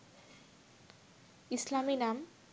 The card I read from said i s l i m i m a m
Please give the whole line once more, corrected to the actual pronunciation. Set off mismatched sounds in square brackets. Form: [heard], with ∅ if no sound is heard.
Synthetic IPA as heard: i s l [a] m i [n] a m